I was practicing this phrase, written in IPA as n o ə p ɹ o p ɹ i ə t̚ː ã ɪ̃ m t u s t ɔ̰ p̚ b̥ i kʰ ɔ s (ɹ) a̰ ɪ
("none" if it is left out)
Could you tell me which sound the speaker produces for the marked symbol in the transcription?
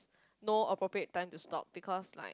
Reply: l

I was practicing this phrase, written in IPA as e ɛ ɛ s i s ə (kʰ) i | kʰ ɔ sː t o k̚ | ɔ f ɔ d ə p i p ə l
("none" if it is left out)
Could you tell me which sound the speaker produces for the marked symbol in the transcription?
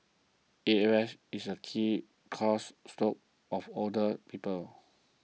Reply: kʰ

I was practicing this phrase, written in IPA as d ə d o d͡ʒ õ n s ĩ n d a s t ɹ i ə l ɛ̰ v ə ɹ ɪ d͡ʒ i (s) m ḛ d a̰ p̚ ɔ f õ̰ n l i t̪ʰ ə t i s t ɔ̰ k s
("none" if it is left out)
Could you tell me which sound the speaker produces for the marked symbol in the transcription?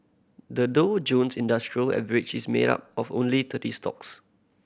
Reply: s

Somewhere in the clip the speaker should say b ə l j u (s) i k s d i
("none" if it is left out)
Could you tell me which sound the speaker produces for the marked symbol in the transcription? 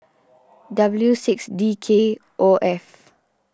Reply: s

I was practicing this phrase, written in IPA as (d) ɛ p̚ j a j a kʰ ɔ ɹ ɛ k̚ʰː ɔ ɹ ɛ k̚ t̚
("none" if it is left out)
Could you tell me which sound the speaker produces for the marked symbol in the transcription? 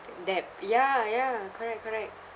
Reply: d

